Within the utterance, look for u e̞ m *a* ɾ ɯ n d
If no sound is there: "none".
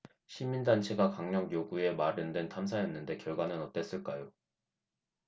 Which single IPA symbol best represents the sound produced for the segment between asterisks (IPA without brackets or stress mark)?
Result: a